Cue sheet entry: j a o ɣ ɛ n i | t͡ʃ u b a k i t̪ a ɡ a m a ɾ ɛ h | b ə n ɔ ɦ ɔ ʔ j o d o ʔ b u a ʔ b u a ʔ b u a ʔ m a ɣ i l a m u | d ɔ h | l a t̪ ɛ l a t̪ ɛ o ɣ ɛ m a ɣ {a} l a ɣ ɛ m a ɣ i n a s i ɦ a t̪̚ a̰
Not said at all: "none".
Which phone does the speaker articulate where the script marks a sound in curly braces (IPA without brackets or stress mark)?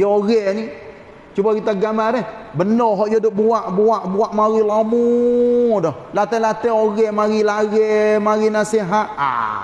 i